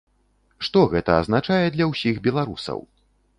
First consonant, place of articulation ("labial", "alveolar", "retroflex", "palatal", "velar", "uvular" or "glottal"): retroflex